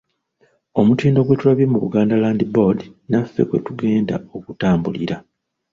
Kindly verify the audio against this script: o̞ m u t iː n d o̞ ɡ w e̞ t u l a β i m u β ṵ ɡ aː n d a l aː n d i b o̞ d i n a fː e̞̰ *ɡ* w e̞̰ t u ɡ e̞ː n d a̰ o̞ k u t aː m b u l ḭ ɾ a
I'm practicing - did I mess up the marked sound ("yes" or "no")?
yes